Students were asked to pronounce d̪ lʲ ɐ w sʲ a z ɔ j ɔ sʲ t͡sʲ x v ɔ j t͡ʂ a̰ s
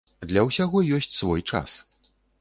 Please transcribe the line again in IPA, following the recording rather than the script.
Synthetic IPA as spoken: d̪ lʲ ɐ w sʲ a ɣ ɔ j ɔ sʲ t͡sʲ s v ɔ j t͡ʂ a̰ s